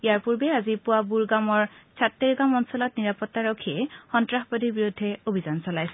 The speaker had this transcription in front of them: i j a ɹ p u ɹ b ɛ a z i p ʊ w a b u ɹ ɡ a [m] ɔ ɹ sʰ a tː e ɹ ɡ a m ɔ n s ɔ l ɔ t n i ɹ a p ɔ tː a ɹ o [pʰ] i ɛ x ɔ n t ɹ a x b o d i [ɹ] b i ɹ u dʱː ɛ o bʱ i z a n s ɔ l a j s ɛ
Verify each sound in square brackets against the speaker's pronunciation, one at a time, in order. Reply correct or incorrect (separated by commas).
correct, incorrect, correct